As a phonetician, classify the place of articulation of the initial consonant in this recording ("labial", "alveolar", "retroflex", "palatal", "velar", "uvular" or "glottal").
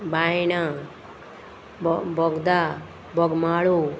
labial